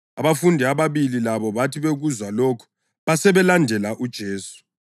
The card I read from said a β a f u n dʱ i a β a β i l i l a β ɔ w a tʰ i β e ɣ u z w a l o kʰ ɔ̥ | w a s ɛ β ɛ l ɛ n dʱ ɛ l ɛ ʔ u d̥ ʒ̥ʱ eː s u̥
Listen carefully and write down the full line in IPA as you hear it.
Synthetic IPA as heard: a β a f u n dʱ i a β a β i l i l a β ɔ β a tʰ i β e ɣ u z w a l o kʰ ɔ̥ | β a s ɛ β ɛ l a n dʱ ɛ l a ʔ u d̥ ʒ̥ʱ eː s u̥